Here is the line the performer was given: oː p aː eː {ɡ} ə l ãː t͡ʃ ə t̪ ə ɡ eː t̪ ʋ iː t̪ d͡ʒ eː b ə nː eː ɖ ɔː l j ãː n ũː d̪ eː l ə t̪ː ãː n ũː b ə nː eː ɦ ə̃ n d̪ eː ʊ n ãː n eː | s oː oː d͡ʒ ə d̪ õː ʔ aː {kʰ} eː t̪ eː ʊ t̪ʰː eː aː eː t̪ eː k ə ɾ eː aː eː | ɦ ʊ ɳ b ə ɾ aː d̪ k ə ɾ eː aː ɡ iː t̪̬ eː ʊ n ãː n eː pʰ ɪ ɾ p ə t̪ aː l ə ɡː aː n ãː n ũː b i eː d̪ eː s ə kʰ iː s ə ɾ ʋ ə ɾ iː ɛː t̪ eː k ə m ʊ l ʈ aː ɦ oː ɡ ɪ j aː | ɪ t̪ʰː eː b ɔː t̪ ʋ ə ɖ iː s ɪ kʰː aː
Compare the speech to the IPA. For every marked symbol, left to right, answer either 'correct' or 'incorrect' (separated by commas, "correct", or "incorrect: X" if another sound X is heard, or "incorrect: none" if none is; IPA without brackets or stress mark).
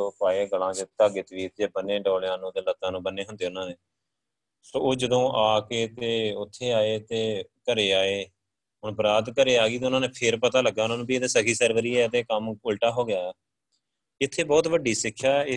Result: correct, incorrect: k